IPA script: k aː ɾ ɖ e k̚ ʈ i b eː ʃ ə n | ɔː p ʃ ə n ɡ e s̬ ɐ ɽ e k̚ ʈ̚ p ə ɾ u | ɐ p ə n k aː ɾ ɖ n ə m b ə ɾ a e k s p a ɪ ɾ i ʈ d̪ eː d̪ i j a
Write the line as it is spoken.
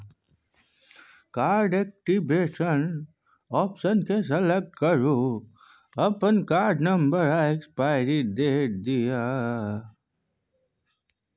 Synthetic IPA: k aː ɾ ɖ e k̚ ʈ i b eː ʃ ə n | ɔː p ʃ ə n k e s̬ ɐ l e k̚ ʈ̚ k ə ɾ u | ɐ p ə n k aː ɾ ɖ n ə m b ə ɾ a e k s p a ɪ ɾ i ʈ d̪ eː d̪ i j a

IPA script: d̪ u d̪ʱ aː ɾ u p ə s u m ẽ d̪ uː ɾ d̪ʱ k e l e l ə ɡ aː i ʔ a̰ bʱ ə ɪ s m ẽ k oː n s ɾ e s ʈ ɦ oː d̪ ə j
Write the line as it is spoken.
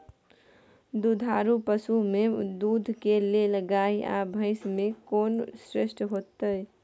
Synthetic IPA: d̪ u d̪ʱ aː ɾ u p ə s u m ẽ d̪ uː d̪ʱ k e l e l ə ɡ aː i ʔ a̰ bʱ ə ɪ s m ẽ k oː n s ɾ e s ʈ ɦ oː t̪ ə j

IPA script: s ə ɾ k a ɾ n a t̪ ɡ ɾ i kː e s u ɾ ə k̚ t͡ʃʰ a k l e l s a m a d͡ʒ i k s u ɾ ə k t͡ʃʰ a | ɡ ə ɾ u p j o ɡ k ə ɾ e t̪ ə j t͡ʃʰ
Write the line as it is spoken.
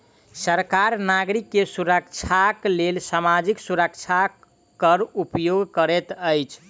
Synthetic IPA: s ə ɾ k a ɾ n a ɡ ɾ i kː e s u ɾ ə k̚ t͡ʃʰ a k l e l s a m a d͡ʒ i k s u ɾ ə k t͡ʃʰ a | k ə ɾ u p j o ɡ k ə ɾ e t̪ ə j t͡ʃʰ

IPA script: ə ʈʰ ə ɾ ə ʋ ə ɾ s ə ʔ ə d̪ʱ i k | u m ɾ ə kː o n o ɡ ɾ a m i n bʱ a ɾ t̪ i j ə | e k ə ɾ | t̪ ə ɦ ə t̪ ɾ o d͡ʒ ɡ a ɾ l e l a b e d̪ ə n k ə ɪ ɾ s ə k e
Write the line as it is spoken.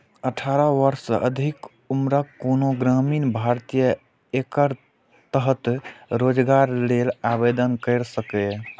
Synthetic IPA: ə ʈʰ a ɾ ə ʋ ə ɾ s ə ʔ ə d̪ʱ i k | u m ɾ ə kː o n o ɡ ɾ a m i n bʱ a ɾ t̪ i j ə | e k ə ɾ | t̪ ə ɦ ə t̪ ɾ o d͡ʒ ɡ a ɾ l e l a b e d̪ ə n k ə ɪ ɾ s ə k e

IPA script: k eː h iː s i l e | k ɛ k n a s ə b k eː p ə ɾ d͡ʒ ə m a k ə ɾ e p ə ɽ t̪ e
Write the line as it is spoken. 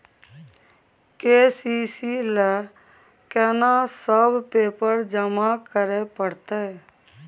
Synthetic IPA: k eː s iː s i l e | k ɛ n a s ə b p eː p ə ɾ d͡ʒ ə m a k ə ɾ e p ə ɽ t̪ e

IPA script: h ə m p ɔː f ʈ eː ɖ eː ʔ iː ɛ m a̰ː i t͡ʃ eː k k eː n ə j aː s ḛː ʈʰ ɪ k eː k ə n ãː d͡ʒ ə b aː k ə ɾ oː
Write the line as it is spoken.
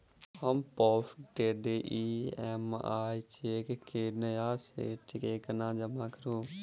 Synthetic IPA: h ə m p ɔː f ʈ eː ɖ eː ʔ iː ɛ m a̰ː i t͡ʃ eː k k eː n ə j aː s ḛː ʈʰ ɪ k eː k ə n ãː d͡ʒ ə m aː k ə ɾ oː

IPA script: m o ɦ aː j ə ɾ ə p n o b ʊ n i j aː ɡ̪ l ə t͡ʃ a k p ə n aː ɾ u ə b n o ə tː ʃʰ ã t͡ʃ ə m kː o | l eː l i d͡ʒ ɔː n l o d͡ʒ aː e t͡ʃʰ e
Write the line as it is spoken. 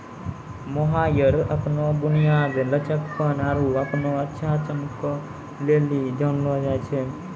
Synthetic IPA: m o ɦ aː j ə ɾ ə p n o b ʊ n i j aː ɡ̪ l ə t͡ʃ ə k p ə n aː ɾ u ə p n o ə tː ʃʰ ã t͡ʃ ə m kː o | l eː l i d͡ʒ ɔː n l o d͡ʒ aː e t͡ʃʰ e

